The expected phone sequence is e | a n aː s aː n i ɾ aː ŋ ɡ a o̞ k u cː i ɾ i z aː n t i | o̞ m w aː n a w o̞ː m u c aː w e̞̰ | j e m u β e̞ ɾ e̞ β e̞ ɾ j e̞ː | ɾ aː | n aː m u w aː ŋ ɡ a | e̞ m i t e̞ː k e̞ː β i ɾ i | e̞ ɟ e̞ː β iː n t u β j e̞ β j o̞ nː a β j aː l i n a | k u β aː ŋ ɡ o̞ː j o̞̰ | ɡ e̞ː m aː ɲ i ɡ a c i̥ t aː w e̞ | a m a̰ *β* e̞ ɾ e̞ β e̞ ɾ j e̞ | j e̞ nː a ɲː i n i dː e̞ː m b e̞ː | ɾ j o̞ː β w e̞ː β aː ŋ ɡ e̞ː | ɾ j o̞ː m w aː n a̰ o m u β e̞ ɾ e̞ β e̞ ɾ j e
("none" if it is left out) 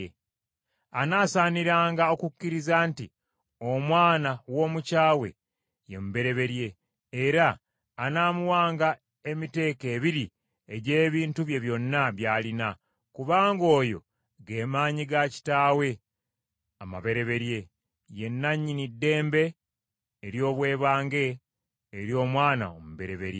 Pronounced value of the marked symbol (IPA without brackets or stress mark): β